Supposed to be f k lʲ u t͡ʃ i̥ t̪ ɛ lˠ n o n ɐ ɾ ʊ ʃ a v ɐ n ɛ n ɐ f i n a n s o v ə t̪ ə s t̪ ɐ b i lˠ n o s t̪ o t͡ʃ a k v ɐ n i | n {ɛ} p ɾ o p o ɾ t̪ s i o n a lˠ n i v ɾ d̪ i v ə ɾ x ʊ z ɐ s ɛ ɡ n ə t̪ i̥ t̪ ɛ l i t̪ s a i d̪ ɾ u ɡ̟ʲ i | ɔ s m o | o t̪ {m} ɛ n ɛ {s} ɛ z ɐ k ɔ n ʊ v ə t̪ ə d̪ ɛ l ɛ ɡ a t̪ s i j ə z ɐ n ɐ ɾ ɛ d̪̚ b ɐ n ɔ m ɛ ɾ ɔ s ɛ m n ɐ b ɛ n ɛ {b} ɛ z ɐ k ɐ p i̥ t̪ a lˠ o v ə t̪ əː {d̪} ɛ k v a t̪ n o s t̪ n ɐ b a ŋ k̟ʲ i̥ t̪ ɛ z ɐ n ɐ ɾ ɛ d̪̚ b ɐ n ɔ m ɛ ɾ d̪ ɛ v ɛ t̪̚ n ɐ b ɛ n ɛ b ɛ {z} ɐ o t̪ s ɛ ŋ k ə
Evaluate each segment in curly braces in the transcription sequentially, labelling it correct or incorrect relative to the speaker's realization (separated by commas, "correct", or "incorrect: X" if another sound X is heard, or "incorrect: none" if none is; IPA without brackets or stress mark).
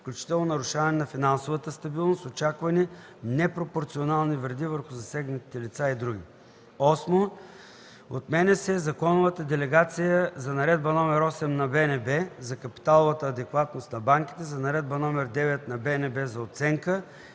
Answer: correct, correct, correct, correct, correct, correct